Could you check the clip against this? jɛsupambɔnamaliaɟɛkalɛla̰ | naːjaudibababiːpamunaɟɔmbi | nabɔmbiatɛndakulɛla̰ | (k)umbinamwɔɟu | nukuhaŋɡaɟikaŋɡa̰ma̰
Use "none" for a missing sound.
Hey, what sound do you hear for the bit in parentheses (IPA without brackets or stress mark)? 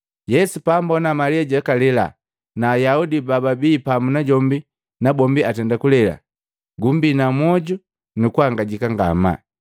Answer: ɡ